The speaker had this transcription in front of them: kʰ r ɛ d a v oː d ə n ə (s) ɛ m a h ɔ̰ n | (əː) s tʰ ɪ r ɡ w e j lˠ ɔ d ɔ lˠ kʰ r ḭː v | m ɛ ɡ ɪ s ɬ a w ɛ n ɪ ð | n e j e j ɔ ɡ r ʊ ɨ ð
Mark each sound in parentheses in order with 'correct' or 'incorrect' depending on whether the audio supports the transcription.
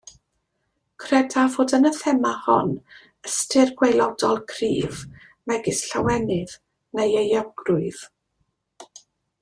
incorrect: θ, incorrect: ə

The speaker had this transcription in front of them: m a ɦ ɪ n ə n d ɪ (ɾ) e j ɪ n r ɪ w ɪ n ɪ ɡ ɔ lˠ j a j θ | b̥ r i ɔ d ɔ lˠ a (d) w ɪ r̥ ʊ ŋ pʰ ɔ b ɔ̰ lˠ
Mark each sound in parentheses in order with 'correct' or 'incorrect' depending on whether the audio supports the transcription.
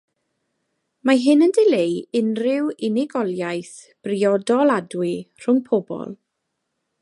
incorrect: l, correct

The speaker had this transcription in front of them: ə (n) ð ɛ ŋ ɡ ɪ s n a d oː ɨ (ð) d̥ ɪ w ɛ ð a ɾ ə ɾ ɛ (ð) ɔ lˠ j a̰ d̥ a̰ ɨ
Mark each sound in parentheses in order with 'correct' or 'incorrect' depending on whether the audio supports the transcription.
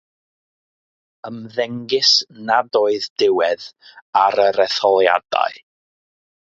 incorrect: m, correct, incorrect: θ

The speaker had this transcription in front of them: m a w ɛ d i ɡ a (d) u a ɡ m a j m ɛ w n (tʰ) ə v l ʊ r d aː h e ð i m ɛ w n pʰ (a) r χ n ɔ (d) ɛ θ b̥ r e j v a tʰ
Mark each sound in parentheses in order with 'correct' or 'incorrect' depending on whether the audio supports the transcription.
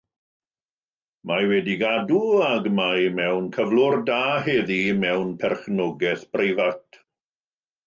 correct, incorrect: kʰ, incorrect: ɛ, incorrect: ɡ

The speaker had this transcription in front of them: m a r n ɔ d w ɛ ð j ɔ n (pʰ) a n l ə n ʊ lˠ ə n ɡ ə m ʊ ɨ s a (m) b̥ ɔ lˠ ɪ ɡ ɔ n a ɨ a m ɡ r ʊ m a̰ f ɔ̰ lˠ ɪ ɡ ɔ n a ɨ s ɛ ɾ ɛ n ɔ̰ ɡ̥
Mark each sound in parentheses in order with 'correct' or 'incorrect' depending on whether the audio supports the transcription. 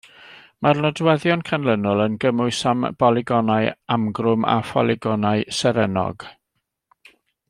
incorrect: kʰ, correct

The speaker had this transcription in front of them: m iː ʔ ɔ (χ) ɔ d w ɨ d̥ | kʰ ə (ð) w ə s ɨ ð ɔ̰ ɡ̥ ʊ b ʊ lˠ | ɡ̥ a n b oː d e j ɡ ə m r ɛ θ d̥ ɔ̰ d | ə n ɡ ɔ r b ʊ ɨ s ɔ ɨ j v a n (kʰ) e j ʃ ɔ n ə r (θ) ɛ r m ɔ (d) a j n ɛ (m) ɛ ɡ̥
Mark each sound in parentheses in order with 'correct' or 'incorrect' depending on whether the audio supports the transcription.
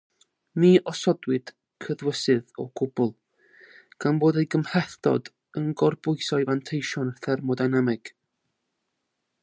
incorrect: s, correct, incorrect: tʰ, correct, correct, correct

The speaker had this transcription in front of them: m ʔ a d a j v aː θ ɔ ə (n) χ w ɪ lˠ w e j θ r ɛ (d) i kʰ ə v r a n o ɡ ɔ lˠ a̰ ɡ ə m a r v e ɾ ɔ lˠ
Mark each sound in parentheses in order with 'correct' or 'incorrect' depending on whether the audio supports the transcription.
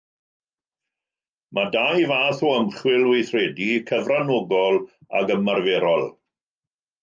incorrect: m, correct

